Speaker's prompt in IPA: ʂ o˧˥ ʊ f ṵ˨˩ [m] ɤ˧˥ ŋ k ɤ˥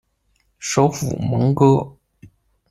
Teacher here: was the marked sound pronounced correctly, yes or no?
yes